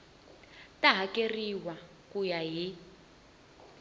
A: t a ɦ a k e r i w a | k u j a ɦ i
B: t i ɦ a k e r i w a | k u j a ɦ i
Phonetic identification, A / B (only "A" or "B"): A